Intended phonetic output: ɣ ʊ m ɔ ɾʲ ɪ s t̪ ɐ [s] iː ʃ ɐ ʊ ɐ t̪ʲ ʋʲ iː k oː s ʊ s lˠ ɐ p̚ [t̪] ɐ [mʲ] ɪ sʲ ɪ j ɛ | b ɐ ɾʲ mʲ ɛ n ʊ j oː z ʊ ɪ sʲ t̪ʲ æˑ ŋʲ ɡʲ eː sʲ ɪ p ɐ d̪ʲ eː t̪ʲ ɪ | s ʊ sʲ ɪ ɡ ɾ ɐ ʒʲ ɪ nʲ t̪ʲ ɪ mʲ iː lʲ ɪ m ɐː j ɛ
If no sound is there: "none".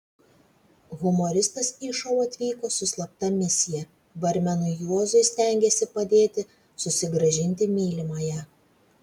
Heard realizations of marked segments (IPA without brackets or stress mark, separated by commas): s, t̪, mʲ